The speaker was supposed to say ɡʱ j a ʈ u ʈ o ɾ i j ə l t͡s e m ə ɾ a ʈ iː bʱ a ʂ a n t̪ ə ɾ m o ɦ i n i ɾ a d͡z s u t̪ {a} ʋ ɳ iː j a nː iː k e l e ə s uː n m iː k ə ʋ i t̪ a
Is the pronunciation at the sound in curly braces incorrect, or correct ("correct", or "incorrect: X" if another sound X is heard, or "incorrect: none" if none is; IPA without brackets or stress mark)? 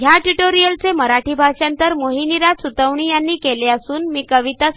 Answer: incorrect: ə